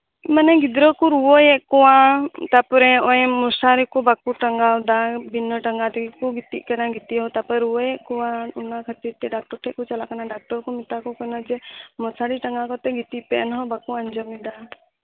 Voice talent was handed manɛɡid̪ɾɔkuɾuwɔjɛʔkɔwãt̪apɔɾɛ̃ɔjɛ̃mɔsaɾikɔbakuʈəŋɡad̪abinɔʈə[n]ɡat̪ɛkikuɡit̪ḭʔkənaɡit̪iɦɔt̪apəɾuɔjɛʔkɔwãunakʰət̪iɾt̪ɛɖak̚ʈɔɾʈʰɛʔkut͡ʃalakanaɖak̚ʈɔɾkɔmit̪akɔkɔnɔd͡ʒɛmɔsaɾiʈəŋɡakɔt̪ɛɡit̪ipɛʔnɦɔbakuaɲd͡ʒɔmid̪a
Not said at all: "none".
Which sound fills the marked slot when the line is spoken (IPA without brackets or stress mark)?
ŋ